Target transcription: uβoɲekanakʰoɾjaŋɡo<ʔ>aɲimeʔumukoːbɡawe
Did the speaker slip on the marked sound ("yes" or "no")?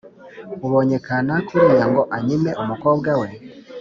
no